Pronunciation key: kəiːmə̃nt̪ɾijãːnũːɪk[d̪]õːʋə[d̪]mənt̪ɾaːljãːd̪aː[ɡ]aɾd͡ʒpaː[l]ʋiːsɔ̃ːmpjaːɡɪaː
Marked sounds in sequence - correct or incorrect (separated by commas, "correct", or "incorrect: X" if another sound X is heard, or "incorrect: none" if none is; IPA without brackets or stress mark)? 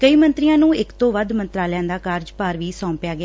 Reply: incorrect: t̪, correct, incorrect: k, incorrect: ɾ